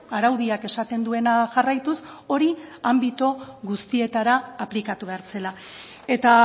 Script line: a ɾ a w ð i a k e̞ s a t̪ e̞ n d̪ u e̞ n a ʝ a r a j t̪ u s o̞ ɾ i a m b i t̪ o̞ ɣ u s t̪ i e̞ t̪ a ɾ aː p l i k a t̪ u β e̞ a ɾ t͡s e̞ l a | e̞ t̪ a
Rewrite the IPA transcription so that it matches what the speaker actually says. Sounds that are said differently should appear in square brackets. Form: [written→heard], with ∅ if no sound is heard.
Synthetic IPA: a ɾ a w ð i a k e̞ s a t̪ e̞ n d̪ u e̞ n a ʝ a r a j t̪ u s o̞ ɾ i a m b i t̪ o̞ ɣ u s t̪ i e̞ t̪ a ɾ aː p l i k a t̪ u β e̞ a ɾ t͡s e̞ l a | e̞ t̪ a